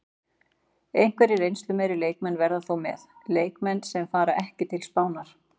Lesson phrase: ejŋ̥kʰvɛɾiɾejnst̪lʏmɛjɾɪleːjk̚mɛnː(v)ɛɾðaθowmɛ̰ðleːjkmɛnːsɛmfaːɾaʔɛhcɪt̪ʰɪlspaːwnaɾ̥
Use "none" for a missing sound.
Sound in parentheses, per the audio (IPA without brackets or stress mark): v